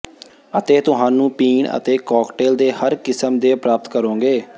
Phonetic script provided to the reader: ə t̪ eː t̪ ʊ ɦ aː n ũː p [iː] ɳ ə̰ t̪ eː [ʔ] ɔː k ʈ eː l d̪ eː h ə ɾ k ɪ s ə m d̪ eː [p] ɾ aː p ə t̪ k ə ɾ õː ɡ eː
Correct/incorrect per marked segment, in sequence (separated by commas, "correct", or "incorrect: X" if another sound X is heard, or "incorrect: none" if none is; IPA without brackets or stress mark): correct, incorrect: k, correct